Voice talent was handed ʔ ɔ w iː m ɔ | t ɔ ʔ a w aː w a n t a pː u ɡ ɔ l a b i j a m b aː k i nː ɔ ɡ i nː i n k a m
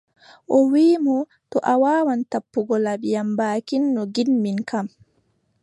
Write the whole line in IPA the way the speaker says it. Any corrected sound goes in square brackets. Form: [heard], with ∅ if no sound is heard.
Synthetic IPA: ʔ ɔ w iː m ɔ | t ɔ ʔ a w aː w a n t a pː u ɡ ɔ l a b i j a m b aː k i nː ɔ ɡ i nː i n k a m